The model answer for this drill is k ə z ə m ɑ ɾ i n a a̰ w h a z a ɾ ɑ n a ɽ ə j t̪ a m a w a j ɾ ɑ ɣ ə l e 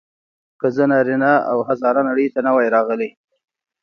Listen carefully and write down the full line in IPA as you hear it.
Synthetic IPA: k ə z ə n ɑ ɾ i n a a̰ w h a z ɑ ɾ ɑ n a ɽ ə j t̪ a n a w a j ɾ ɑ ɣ ə l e